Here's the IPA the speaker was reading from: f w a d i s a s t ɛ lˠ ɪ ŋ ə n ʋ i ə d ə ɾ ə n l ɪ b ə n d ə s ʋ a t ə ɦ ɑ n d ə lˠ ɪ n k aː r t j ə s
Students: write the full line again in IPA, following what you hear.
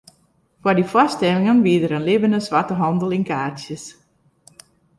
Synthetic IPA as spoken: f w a d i f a s t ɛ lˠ ɪ ŋ ə n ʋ i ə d ə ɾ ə n l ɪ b ə n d ə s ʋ a t ə ɦ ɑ n d ə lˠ ɪ n k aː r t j ə s